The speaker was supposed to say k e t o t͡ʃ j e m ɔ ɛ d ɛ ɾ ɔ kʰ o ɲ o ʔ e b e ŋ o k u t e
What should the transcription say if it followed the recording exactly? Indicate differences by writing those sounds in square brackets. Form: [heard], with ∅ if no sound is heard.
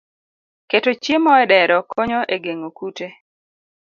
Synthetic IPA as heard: k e t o t͡ʃ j e m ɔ ɛ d ɛ ɾ ɔ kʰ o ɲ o ʔ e [ɡ] e ŋ o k u t e